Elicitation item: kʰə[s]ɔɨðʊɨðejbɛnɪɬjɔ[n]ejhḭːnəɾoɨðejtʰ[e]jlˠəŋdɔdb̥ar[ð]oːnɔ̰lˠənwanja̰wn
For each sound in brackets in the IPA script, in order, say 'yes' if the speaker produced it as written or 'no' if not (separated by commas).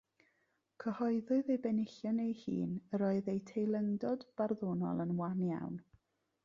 no, yes, yes, yes